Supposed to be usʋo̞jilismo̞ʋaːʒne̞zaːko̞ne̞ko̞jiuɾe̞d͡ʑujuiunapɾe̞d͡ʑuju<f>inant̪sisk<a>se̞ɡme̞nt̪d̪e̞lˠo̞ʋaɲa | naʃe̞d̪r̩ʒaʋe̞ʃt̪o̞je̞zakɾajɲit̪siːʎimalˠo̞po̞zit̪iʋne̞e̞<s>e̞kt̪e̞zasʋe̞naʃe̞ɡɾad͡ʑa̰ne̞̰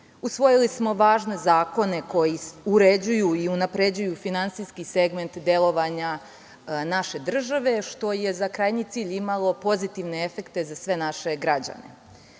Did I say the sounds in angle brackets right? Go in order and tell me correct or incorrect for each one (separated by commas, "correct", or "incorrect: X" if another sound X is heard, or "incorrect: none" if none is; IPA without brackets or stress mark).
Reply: correct, incorrect: i, incorrect: f